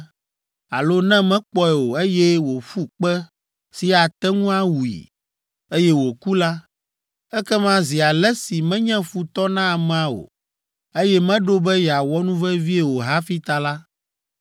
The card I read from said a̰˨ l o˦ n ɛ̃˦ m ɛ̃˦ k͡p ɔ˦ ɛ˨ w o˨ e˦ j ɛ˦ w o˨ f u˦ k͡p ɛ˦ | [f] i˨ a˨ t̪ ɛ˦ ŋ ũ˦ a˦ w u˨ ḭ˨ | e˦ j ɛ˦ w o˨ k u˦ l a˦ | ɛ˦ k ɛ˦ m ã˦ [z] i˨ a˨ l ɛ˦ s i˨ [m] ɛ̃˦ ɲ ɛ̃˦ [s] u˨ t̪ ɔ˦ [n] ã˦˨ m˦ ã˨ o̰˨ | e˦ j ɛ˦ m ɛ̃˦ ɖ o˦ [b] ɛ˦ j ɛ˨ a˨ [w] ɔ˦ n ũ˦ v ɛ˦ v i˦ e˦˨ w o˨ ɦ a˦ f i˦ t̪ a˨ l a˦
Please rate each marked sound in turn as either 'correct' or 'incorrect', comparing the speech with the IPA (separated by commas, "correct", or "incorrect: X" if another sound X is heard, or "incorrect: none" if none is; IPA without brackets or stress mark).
incorrect: s, correct, correct, incorrect: f, correct, correct, correct